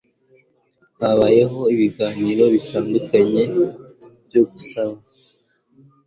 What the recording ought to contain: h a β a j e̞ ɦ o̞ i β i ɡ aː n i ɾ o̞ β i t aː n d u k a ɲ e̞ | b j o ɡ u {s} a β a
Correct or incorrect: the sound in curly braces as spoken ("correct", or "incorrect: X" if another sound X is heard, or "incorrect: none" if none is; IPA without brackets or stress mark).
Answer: correct